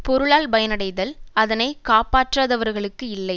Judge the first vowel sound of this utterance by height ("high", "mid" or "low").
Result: mid